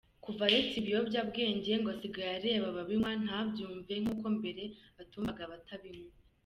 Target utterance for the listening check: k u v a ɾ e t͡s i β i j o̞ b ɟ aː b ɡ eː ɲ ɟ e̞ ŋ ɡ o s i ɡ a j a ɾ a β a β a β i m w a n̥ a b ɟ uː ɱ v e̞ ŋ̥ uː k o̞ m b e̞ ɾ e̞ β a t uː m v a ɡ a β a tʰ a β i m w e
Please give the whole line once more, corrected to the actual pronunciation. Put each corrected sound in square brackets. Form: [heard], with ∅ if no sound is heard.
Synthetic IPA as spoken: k u v a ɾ e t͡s i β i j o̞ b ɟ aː b ɡ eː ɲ ɟ e̞ ŋ ɡ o s i ɡ a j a ɾ [e] β a β a β i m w a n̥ a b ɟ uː ɱ v e̞ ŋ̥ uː k o̞ m b e̞ ɾ e̞ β a t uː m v a ɡ a β a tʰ a β i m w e